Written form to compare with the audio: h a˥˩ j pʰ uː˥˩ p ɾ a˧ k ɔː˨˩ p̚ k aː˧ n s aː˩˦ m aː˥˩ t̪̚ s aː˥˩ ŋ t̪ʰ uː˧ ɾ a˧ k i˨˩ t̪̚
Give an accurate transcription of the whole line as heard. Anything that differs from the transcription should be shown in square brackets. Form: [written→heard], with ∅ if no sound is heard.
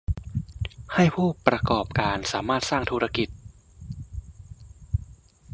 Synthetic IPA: h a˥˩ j pʰ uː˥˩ p ɾ a˧ k ɔː˨˩ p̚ k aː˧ n s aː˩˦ m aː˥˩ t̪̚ s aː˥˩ ŋ t̪ʰ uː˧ ɾ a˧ k i˨˩ t̪̚